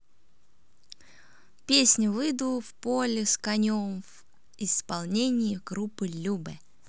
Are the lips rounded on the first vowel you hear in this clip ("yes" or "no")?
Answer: no